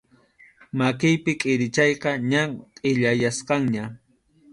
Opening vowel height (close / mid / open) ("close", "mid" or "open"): open